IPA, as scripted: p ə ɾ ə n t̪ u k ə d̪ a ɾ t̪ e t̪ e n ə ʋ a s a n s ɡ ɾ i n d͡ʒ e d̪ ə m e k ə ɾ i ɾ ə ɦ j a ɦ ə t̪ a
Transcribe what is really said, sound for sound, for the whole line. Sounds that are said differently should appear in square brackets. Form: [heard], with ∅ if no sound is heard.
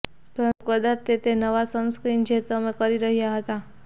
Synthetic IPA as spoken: p ə ɾ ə n t̪ u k ə d̪ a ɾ t̪ e t̪ e n ə ʋ a s [ə] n s [k] ɾ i n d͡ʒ e [t̪] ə m e k ə ɾ i ɾ ə ɦ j a ɦ ə t̪ a